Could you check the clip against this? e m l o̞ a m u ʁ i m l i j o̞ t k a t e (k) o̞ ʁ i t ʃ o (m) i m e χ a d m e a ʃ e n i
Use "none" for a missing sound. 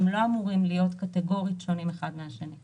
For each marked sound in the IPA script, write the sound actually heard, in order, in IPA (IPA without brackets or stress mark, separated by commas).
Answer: ɡ, n